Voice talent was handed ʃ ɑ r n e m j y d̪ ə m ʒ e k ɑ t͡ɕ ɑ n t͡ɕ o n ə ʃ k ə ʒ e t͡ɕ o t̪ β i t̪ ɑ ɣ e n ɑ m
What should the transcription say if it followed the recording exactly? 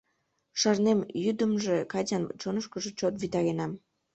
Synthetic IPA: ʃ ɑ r n e m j y d̪ ə m ʒ e k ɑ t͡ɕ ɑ n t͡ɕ o n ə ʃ k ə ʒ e t͡ɕ o t̪ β i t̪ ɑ ɣ e n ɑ m